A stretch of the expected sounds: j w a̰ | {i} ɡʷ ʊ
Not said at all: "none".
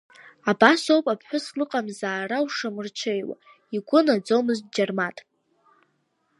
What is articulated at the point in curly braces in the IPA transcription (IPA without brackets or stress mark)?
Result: i